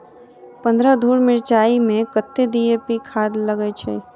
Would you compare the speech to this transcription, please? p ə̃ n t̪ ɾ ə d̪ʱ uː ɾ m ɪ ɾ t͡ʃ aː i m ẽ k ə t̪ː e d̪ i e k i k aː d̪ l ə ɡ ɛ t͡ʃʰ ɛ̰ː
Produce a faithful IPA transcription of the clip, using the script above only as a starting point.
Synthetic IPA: p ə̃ n d̪ ɾ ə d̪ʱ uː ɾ m ɪ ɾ t͡ʃ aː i m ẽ k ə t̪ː e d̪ i e p i kʰ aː d̪ l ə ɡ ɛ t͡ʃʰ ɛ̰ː